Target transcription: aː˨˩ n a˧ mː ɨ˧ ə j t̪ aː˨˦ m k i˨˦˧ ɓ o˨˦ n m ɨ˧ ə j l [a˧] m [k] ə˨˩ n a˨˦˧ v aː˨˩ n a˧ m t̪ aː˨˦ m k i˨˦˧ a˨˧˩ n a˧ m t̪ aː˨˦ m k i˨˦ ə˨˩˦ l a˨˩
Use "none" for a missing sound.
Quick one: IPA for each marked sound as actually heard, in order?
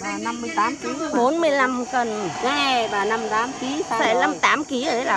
a˧, k

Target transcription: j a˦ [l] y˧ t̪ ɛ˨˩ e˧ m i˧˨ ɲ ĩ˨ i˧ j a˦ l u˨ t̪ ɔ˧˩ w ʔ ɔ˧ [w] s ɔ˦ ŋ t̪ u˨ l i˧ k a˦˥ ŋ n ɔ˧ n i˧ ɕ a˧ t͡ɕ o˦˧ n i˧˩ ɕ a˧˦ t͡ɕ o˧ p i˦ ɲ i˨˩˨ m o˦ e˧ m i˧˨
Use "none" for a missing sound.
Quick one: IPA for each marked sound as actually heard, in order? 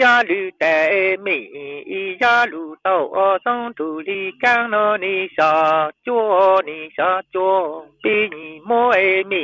l, none

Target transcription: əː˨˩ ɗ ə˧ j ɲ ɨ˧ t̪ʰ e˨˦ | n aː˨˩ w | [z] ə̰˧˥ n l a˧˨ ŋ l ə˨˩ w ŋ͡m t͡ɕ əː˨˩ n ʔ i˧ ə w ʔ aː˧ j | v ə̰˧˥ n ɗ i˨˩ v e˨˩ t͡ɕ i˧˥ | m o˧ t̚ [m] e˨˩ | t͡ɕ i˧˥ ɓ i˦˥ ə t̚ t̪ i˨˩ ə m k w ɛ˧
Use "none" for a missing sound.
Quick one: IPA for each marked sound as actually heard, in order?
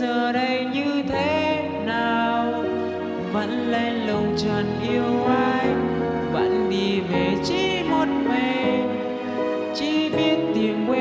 v, m

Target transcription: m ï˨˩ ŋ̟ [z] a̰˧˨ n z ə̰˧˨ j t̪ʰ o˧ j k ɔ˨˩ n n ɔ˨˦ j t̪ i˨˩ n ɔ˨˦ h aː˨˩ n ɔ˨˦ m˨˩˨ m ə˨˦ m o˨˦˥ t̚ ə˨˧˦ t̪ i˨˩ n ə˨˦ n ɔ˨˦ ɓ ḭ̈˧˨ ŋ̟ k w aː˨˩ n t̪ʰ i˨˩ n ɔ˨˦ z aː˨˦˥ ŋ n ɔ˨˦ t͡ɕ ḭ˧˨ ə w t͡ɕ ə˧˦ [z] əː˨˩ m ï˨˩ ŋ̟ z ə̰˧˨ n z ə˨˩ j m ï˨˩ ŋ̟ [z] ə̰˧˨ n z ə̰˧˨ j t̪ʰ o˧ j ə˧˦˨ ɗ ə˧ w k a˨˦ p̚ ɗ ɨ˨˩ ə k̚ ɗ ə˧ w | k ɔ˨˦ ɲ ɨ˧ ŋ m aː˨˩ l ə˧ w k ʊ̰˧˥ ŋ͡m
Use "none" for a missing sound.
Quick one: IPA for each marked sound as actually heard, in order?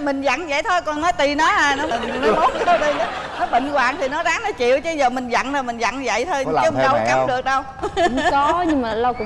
z, z, z

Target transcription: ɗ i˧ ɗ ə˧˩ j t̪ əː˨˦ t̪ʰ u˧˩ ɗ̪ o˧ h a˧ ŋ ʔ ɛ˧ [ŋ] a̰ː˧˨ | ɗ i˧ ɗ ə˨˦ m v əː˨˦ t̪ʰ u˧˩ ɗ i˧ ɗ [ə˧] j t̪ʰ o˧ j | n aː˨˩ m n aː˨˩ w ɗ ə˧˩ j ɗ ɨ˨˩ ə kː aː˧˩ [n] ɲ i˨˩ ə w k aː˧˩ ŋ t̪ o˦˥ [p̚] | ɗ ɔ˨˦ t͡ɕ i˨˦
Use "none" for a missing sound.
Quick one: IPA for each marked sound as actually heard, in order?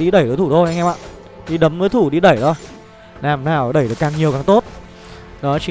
m, ə˧˩, ŋ, t̚

